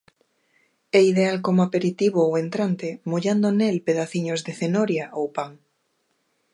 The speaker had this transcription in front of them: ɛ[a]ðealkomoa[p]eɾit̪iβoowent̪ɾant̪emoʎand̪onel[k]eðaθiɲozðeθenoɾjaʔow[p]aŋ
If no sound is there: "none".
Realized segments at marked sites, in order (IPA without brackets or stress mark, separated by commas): i, p, p, p